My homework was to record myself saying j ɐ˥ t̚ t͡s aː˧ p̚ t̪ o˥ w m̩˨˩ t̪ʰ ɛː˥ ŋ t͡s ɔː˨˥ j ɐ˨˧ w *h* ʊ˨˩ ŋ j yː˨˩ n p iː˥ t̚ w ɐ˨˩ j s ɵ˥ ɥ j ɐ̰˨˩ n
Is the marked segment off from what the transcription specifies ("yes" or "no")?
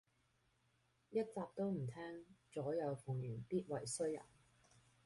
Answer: yes